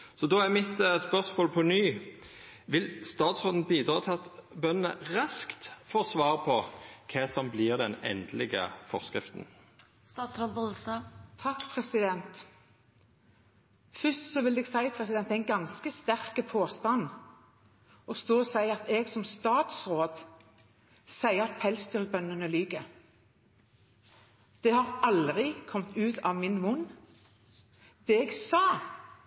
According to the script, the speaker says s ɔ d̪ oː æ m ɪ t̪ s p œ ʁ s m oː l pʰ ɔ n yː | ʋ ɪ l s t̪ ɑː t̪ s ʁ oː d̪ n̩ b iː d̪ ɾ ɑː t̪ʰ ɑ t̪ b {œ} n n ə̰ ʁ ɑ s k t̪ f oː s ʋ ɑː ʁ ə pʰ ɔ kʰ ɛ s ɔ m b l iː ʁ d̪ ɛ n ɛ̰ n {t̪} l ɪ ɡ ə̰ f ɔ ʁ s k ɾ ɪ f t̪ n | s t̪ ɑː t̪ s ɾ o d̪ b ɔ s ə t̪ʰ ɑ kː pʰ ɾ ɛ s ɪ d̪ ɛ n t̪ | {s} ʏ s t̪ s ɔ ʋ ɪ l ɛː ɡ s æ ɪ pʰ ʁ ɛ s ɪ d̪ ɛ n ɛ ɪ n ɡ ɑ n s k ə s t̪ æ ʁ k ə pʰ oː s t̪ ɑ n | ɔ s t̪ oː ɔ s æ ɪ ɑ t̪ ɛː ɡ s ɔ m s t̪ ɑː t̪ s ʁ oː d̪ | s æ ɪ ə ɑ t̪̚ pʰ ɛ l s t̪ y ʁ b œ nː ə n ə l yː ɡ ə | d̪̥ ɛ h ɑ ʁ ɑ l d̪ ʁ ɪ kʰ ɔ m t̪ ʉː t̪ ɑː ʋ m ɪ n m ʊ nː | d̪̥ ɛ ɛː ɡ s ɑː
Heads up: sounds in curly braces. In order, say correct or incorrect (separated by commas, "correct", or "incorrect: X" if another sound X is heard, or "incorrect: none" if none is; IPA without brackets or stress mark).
correct, incorrect: d̪, incorrect: f